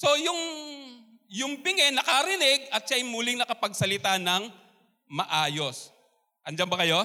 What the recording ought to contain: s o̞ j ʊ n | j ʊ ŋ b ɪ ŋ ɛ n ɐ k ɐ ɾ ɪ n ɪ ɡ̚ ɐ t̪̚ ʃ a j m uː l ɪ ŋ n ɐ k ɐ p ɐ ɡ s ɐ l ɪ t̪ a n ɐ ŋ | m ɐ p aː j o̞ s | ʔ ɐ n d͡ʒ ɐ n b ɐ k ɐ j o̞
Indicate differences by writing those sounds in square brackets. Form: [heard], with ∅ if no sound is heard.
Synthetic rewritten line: s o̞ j ʊ [ŋ] | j ʊ ŋ b ɪ ŋ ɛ n ɐ k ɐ ɾ ɪ n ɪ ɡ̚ ɐ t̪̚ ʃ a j m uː l ɪ ŋ n ɐ k ɐ p ɐ ɡ s ɐ l ɪ t̪ a n ɐ ŋ | m ɐ [ʔ] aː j o̞ s | ʔ ɐ n d͡ʒ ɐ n b ɐ k ɐ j o̞